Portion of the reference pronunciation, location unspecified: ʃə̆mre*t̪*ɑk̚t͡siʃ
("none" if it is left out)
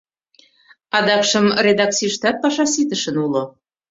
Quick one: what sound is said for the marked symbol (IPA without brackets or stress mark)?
d̪